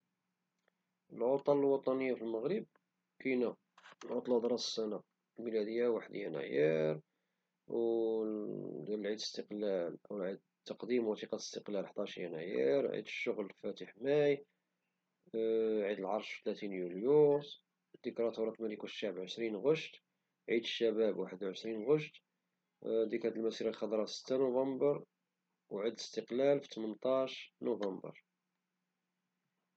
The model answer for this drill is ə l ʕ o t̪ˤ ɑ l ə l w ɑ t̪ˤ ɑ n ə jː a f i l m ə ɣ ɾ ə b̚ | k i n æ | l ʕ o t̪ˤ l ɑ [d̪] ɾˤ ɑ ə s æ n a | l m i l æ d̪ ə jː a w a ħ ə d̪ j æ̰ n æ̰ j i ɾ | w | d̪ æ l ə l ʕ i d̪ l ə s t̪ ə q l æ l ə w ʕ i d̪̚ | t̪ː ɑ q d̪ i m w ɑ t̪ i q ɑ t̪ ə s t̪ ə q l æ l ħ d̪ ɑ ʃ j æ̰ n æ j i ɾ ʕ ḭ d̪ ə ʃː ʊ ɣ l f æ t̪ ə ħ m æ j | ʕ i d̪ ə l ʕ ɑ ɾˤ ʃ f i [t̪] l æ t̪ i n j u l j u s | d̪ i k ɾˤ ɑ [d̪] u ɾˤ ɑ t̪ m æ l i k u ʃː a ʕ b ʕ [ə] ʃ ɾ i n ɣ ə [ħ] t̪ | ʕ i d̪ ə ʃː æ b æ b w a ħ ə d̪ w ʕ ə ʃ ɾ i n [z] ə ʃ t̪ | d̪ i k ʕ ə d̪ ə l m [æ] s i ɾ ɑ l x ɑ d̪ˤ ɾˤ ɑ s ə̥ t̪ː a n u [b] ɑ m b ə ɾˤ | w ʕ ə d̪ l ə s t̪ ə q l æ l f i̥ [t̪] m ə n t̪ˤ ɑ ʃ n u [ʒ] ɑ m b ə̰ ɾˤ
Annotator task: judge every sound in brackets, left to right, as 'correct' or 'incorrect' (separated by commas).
correct, correct, incorrect, correct, incorrect, incorrect, correct, incorrect, correct, incorrect